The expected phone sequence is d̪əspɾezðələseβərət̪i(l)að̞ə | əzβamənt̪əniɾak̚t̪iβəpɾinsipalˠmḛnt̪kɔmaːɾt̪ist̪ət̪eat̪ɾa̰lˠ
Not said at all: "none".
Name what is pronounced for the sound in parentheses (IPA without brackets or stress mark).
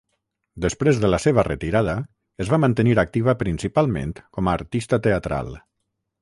ɾ